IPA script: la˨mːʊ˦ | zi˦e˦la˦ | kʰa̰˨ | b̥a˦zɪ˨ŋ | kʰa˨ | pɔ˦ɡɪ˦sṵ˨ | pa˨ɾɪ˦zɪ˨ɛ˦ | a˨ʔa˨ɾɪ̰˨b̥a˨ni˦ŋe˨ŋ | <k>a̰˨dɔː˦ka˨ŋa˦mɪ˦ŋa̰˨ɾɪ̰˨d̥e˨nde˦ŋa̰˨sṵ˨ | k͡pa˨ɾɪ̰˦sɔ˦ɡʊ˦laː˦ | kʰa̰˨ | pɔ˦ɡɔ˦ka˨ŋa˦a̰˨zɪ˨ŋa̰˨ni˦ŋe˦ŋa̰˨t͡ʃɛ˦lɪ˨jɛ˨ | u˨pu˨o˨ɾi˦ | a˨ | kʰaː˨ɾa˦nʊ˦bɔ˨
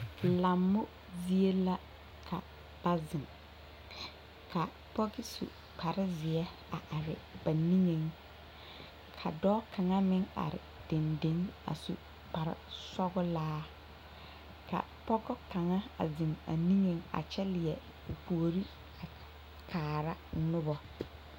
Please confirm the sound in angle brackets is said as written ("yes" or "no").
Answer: no